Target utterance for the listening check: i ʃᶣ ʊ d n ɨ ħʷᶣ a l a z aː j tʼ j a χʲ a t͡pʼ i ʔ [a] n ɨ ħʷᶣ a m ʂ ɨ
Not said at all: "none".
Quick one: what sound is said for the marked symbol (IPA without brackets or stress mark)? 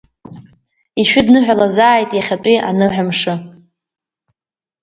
a